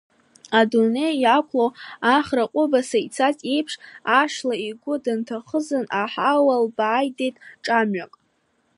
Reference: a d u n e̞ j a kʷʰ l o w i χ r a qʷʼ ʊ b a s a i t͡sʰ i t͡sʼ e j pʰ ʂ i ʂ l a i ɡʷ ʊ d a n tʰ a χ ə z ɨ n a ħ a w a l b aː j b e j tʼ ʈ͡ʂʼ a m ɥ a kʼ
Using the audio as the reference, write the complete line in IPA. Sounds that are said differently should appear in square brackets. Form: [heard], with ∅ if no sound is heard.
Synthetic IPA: a d u n e̞ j a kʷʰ l o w [a] χ r a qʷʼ ʊ b a s a i t͡sʰ [a] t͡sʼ e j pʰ ʂ [a] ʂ l a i ɡʷ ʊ d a n tʰ a χ ə z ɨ n a ħ a w a l b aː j [d] e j tʼ ʈ͡ʂʼ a m ɥ a kʼ